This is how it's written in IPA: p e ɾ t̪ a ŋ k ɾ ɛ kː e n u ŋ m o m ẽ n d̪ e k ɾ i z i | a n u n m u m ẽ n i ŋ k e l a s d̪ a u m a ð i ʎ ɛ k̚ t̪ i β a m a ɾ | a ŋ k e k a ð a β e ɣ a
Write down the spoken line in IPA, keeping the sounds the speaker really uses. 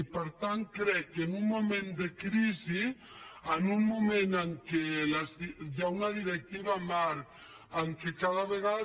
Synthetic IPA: p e ɾ t̪ a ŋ k ɾ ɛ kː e n u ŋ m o m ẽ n d̪ e k ɾ i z i | a n u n m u m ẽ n a ŋ k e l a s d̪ a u n a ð i ɾ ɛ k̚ t̪ i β a m a ɾ | a ŋ k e k a ð a β e ɣ a